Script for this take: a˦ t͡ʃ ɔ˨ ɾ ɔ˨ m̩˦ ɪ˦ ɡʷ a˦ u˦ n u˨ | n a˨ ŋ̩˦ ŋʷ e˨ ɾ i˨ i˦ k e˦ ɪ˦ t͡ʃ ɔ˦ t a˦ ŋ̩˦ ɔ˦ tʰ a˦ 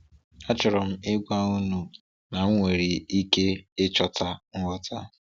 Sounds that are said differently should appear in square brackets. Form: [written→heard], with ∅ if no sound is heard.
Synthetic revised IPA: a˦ t͡ʃ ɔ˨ ɾ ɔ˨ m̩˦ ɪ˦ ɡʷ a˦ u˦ n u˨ | n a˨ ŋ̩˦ ŋʷ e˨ ɾ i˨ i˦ k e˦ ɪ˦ t͡ʃ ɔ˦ t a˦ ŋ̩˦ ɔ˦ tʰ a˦